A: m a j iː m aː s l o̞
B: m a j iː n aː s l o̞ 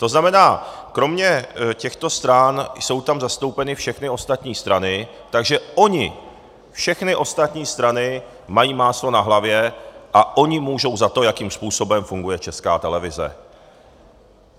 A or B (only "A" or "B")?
A